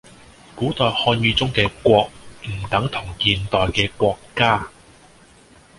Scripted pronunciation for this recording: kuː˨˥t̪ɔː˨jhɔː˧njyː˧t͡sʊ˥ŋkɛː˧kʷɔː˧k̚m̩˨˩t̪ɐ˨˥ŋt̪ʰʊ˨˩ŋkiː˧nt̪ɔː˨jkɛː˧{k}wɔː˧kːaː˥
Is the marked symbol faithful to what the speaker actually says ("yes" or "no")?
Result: yes